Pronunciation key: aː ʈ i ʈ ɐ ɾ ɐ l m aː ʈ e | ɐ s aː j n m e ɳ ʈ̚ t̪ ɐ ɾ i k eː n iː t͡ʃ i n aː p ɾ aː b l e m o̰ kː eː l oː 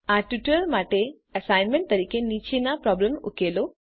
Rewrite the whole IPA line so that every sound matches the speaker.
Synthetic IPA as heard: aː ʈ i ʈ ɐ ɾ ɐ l m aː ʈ e | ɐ s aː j n m e ɳ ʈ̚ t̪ ɐ ɾ i k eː n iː t͡ʃ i n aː p ɾ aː b l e m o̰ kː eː l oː